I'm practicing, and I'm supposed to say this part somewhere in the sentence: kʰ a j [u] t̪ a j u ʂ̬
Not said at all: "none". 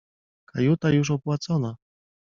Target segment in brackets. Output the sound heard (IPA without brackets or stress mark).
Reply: u